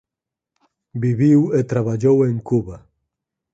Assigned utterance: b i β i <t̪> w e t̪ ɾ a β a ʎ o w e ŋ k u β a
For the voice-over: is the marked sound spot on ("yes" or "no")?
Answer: no